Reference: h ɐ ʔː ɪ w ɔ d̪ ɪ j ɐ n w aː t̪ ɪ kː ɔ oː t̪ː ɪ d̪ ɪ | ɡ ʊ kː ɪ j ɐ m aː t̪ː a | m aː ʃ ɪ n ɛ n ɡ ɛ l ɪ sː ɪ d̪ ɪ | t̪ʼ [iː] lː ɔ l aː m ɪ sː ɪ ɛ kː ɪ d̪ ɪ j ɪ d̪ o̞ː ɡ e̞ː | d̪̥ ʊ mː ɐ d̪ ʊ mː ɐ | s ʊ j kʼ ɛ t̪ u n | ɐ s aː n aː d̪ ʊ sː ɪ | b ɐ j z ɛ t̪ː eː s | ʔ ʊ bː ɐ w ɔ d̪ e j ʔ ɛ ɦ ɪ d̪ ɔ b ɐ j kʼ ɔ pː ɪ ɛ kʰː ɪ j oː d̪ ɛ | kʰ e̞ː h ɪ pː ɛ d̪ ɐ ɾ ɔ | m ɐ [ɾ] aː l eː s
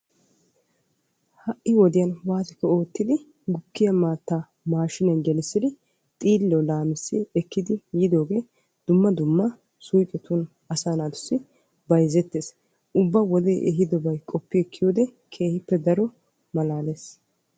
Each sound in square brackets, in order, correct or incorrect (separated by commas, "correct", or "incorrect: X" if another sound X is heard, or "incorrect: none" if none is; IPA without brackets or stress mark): correct, incorrect: l